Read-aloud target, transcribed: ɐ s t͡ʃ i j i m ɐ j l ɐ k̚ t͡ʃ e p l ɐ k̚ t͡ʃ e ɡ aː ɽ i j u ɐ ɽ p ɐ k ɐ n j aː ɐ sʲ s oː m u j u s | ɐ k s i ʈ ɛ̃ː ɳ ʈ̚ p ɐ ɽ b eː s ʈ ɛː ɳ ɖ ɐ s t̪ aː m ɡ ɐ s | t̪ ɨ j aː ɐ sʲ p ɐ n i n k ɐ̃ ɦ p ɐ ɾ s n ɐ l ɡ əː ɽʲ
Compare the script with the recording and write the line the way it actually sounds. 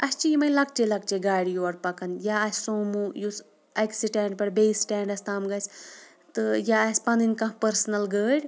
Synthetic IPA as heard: ɐ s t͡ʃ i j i m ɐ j l ɐ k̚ t͡ʃ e l ɐ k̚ t͡ʃ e ɡ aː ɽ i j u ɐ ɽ p ɐ k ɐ n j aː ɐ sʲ s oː m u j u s | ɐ k s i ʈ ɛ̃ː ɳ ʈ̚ p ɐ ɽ b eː s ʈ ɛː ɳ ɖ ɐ s t̪ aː m ɡ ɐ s | t̪ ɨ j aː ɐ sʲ p ɐ n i n k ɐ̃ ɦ p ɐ ɾ s n ɐ l ɡ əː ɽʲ